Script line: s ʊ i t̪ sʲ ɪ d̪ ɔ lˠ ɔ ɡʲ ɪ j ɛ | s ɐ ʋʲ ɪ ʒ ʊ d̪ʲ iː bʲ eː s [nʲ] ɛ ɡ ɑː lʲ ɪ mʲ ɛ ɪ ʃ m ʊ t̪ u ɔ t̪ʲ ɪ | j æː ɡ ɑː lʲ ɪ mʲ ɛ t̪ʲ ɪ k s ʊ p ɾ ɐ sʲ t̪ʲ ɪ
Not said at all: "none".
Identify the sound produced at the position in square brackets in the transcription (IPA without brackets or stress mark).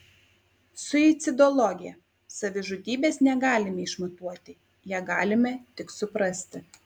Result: nʲ